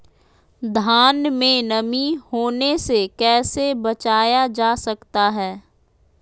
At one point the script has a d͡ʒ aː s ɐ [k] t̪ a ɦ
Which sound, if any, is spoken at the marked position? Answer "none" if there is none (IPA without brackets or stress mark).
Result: k